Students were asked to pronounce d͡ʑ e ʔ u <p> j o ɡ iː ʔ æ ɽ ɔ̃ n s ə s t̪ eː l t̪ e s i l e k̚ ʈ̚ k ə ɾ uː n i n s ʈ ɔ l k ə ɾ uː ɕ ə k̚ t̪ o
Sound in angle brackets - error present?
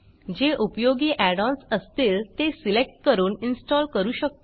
no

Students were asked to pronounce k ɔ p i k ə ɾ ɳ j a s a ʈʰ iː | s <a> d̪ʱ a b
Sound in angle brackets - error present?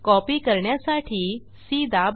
yes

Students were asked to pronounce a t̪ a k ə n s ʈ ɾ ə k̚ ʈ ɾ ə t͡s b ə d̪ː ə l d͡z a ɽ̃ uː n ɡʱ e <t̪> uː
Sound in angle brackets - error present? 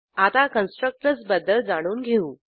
yes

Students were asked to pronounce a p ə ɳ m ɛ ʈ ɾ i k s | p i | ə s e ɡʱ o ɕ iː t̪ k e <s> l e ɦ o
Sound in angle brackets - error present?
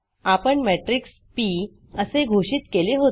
yes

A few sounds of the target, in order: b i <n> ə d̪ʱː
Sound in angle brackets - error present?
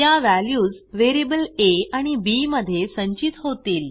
yes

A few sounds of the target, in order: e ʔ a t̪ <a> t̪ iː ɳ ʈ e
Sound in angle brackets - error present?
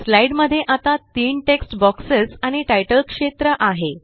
no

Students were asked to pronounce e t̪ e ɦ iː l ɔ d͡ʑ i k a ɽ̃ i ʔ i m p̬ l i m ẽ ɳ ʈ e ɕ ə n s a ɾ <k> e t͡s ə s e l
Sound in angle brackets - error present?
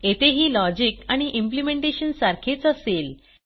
yes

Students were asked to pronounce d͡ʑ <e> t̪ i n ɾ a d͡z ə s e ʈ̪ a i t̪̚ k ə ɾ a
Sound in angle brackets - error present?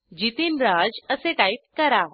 yes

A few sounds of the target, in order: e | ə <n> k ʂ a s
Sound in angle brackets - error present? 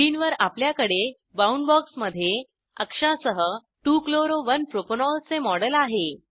yes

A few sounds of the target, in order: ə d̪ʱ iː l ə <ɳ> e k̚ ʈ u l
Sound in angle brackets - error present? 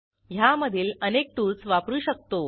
yes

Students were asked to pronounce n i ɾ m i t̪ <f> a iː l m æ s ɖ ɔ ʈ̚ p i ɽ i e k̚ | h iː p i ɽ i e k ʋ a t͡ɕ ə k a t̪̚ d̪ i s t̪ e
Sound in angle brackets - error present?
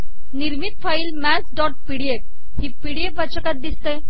no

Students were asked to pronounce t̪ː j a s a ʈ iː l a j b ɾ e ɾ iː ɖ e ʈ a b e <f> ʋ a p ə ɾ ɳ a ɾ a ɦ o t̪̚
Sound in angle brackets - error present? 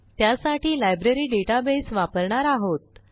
yes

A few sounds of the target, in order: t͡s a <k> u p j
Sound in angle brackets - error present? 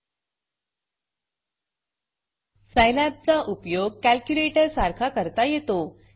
yes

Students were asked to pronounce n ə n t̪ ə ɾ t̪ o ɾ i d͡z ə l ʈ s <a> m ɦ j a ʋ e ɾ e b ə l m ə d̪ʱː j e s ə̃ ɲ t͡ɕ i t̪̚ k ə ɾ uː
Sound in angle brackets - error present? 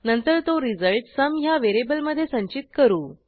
yes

